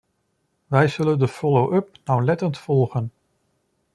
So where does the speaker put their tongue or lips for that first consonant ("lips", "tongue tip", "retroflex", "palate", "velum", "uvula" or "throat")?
lips